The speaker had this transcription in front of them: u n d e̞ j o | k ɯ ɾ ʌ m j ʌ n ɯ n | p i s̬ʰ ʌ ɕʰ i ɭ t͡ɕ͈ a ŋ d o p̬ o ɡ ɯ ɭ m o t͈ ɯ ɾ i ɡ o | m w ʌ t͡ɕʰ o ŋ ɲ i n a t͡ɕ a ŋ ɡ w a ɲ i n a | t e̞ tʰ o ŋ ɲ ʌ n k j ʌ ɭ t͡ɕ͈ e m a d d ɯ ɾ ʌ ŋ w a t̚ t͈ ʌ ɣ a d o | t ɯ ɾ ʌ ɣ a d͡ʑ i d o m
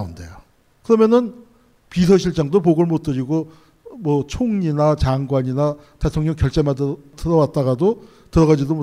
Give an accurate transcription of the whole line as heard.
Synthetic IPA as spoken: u n d e̞ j o | k ɯ ɾ ʌ m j ʌ n ɯ n | p i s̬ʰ ʌ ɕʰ i ɭ t͡ɕ͈ a ŋ d o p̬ o ɡ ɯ ɭ m o t͈ ɯ ɾ i ɡ o | m w ʌ t͡ɕʰ o ŋ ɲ i n a t͡ɕ a ŋ ɡ w a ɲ i n a | t e̞ tʰ o ŋ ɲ ʌ ŋ k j ʌ ɭ t͡ɕ͈ e m a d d ɯ ɾ ʌ w a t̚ t͈ a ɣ a d o | t ɯ ɾ ʌ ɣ a d͡ʑ i d o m